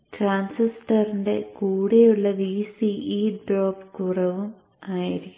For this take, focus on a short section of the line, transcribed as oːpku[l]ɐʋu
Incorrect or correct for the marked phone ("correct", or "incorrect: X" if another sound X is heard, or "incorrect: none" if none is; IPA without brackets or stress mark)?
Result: incorrect: r